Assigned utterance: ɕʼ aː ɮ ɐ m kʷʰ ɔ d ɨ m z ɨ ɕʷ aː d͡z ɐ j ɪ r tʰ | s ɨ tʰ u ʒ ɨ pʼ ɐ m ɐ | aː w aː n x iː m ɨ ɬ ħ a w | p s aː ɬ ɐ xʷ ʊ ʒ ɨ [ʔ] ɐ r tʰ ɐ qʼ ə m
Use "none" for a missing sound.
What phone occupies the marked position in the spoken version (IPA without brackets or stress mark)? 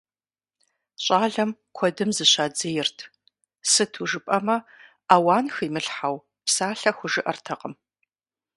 ʔ